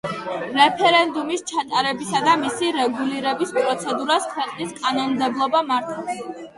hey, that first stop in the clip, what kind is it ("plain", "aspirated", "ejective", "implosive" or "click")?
aspirated